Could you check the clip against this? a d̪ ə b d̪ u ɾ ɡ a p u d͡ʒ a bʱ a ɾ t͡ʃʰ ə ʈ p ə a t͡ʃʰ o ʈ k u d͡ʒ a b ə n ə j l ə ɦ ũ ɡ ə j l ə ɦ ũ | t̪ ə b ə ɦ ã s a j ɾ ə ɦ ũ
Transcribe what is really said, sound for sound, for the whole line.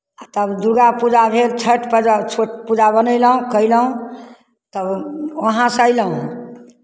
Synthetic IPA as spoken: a t̪ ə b d̪ u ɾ ɡ a p u d͡ʒ a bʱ e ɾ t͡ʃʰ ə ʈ p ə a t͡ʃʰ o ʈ p u d͡ʒ a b ə n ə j l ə ɦ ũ k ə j l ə ɦ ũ | t̪ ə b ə ɦ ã s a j l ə ɦ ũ